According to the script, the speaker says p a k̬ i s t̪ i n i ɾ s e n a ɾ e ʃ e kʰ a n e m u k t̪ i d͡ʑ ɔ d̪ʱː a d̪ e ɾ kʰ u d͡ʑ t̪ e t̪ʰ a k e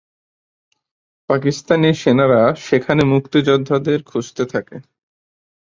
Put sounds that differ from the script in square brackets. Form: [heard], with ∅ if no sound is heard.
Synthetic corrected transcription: p a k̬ i s t̪ [a] n i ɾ [ʃ] e n a ɾ [a] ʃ e kʰ a n e m u k t̪ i d͡ʑ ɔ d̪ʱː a d̪ e ɾ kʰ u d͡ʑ t̪ e t̪ʰ a k e